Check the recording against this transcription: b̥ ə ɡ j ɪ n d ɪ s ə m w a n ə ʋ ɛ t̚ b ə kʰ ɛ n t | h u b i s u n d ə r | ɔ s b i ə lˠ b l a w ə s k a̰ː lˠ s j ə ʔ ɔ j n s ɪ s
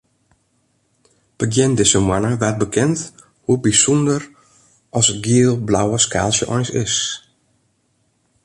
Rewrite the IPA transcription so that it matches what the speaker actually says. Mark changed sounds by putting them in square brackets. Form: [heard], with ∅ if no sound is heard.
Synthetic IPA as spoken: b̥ ə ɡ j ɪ n d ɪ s ə m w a n ə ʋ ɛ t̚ b ə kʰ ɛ n t | h u b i s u n d ə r | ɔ s [ɡ] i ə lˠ b l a w ə s k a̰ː lˠ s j ə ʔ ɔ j n s ɪ s